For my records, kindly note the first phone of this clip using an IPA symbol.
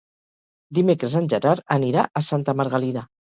d̪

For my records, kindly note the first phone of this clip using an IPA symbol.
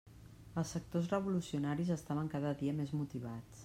ə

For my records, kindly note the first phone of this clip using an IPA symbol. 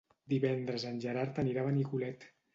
d̪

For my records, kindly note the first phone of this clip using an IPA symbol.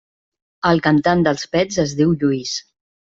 ə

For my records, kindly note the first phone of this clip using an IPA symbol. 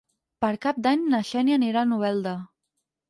p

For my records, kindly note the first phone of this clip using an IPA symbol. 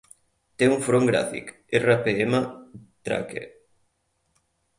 t̪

